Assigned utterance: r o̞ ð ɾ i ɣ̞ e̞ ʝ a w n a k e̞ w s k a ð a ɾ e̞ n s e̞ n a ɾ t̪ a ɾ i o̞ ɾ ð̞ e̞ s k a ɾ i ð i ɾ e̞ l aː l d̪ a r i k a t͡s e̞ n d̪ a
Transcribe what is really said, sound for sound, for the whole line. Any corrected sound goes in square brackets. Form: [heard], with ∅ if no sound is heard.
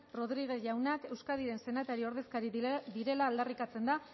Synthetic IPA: r o̞ ð ɾ i ɣ̞ e̞ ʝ a w n a k e̞ w s k a ð [i] ɾ e̞ n s e̞ n a [∅] t̪ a ɾ i o̞ ɾ ð̞ e̞ s k a ɾ i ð i ɾ e̞ l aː l d̪ a r i k a t͡s e̞ n d̪ a